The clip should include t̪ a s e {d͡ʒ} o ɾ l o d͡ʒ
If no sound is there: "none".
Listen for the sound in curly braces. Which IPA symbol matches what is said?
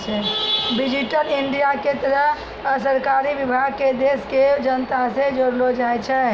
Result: d͡ʒ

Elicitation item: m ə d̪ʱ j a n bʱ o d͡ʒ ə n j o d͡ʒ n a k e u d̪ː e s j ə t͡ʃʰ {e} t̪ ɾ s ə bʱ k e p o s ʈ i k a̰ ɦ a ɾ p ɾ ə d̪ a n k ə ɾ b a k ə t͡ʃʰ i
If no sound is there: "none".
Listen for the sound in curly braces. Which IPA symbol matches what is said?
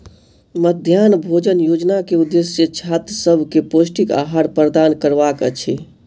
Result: a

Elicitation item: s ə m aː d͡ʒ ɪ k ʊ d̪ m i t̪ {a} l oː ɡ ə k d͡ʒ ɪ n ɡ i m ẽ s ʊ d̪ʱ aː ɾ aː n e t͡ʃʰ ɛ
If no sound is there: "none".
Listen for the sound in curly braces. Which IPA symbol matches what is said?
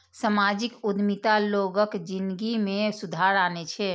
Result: a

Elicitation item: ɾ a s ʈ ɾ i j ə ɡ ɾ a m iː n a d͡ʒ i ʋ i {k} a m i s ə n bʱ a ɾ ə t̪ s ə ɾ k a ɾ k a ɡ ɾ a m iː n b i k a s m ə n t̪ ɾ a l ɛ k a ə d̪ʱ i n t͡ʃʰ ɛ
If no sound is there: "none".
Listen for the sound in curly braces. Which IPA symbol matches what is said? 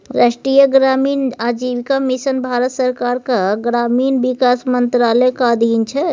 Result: k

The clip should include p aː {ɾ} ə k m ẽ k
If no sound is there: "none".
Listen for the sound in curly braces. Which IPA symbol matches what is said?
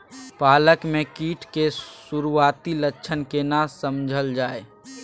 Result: l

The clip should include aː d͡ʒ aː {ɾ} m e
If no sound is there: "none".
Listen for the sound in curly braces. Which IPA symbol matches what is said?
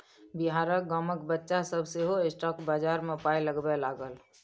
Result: ɾ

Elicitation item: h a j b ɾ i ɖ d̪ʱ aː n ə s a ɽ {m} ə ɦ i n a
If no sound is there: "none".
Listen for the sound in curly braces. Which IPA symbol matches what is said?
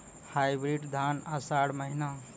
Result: m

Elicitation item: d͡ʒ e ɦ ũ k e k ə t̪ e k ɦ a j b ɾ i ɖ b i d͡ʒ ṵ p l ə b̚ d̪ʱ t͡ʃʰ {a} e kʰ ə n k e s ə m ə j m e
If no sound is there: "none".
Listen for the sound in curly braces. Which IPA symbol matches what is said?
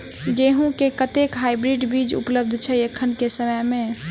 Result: ɛ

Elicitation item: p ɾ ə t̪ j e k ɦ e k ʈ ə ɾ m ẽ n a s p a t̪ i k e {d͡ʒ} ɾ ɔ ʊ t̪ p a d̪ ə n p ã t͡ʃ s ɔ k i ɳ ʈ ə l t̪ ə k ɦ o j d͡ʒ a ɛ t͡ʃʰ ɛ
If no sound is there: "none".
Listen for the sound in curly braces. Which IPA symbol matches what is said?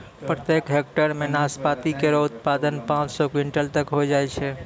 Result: none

